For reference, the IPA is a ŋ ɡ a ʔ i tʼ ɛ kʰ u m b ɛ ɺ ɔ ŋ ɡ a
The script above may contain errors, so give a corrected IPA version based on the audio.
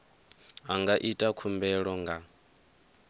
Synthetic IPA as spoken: a ŋ ɡ a ʔ i tʼ a kʰ u m b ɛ ɺ ɔ ŋ ɡ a